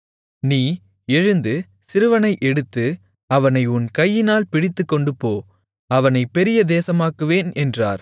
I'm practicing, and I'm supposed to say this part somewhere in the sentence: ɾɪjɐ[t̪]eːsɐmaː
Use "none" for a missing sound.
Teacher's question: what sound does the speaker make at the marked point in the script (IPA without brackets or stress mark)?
d̪